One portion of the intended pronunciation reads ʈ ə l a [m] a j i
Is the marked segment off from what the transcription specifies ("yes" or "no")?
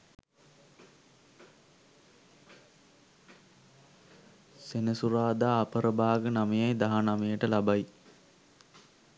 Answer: yes